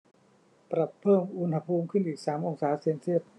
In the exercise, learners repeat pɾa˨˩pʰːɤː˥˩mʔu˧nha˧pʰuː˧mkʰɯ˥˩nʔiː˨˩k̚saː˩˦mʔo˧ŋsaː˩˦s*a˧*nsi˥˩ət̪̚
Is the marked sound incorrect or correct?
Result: incorrect